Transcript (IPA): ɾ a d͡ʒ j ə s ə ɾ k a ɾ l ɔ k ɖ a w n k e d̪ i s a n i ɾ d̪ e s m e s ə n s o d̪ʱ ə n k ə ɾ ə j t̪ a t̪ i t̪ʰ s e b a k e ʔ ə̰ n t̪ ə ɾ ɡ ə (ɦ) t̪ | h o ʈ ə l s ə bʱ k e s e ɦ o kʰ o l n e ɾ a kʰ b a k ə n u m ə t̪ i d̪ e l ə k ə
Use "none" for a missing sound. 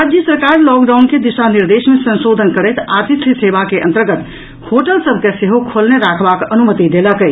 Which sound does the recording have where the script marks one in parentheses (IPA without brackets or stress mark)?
none